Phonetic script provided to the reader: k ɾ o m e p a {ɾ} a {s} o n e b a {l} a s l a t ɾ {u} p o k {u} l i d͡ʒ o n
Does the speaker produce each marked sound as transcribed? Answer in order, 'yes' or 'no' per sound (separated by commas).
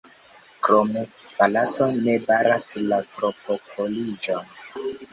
no, no, no, no, no